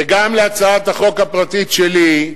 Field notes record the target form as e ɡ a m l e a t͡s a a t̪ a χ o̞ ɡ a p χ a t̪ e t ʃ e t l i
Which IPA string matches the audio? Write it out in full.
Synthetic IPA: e ɡ a m l e a t͡s a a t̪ a χ o̞ k a p ʁ a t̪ i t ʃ e l i